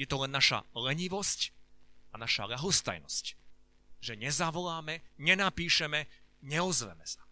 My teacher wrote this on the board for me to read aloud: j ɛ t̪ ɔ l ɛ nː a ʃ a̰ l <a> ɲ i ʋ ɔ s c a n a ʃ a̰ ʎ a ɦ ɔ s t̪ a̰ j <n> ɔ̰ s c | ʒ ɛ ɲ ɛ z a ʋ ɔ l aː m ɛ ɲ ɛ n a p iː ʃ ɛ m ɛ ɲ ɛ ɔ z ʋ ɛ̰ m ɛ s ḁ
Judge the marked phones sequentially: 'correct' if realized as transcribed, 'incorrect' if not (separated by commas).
incorrect, correct